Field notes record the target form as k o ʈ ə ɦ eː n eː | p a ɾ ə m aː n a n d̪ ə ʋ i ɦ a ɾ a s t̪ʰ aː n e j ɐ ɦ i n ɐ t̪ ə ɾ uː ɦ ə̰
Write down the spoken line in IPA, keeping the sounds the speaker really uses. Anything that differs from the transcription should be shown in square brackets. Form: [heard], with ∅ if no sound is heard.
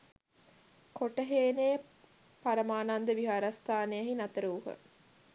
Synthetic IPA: k o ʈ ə ɦ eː n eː | p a ɾ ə m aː n a n d̪ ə ʋ i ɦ a ɾ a s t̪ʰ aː n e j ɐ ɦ i n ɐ t̪ ə ɾ uː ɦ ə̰